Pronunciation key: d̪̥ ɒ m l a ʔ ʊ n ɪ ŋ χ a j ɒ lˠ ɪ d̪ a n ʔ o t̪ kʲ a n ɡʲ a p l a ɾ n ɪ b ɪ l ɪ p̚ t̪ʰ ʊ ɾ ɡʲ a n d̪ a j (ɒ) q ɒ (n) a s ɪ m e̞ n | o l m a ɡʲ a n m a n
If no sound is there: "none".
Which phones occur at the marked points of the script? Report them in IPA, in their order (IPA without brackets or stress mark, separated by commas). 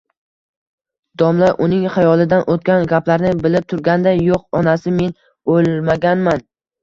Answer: o, n